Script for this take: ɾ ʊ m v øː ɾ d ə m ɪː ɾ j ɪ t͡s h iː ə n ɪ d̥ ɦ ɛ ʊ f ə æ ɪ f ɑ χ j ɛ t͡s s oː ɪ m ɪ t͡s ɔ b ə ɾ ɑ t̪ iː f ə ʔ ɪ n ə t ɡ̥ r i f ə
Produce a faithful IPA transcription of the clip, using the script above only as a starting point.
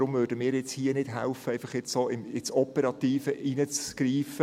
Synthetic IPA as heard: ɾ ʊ m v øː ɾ d ə m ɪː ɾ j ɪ t͡s h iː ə n ɪ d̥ ɦ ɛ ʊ f ə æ ɪ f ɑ χ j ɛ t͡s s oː ɪ m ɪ t͡s ɔ p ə ɾ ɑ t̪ iː f ə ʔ i n ə t͡s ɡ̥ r iː f ə

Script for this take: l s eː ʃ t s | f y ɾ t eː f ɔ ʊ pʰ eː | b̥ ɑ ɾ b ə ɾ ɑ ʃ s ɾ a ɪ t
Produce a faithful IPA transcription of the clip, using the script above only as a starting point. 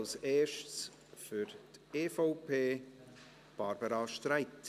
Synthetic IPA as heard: l s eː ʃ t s | f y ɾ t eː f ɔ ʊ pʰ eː | b̥ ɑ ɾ b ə ɾ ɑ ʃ t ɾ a ɪ t

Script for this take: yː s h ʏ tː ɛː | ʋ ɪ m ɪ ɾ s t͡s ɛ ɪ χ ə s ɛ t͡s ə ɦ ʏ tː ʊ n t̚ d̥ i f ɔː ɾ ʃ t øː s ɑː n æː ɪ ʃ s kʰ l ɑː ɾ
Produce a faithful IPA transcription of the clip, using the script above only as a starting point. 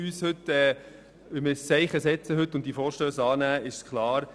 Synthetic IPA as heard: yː s h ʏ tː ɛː | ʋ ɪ m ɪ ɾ s t͡s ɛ ɪ χ ə s ɛ t͡s ə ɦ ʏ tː ʊ n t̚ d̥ i f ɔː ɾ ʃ t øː s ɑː n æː ɪ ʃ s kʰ l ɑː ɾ

